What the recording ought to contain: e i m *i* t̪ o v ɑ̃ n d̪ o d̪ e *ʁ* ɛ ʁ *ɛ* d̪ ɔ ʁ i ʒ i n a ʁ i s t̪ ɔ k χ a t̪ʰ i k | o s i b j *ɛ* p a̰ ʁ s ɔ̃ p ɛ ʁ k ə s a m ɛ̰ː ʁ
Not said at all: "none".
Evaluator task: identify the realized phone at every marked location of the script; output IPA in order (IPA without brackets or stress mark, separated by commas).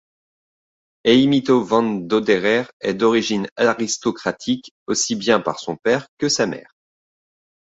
i, ʁ, ɛ, ɛ̃